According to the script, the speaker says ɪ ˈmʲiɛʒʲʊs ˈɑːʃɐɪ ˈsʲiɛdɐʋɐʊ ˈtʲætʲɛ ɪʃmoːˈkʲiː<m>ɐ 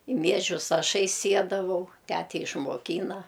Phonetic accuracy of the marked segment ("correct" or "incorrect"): incorrect